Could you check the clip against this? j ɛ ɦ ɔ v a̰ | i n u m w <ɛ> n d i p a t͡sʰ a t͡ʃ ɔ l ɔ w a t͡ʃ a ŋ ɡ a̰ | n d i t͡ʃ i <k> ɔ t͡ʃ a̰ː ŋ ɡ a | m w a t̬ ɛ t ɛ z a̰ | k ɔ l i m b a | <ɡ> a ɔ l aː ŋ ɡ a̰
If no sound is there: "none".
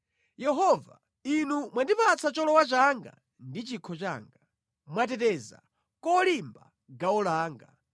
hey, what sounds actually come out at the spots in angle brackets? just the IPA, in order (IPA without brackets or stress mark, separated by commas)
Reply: a, kʰ, ɡ